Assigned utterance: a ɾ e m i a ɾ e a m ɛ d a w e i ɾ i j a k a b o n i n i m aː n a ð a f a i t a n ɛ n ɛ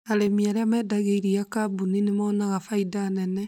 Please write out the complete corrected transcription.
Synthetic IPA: a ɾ e m i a ɾ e a m ɛ d a ɣ e i ɾ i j a k a b u n i n e m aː n a ɣ a f a i d a n ɛ n ɛ